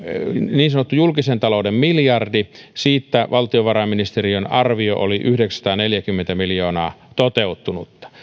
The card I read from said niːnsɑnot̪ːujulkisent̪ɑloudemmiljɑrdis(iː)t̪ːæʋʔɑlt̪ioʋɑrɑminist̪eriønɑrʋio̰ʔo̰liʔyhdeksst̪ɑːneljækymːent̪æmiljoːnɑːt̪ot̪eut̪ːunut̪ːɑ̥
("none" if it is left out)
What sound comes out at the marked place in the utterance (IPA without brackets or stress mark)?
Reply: iː